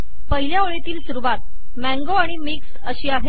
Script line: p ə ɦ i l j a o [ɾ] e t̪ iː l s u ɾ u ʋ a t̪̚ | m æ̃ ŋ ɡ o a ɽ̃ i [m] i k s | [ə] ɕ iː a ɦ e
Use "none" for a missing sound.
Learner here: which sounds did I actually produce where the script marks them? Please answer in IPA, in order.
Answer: ɭ, m, ə

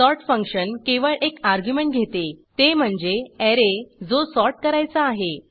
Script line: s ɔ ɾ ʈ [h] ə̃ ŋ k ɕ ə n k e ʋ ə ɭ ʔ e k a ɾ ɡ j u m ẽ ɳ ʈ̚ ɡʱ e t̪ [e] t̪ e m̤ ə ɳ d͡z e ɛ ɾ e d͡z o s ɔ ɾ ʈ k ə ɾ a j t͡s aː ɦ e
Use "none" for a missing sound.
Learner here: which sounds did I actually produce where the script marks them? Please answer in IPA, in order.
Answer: f, e

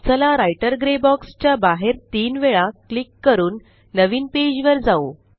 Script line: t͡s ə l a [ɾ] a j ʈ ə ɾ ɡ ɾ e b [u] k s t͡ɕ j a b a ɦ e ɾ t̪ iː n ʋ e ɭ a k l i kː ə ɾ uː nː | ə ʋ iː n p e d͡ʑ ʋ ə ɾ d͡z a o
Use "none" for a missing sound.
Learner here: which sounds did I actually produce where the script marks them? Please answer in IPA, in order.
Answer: ɾ, ɔ

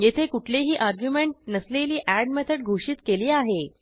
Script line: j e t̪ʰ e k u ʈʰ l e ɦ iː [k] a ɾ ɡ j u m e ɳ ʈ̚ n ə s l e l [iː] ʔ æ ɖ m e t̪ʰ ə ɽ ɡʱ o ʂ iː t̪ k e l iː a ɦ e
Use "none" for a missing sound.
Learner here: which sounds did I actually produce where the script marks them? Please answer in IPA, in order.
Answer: ʔ, iː

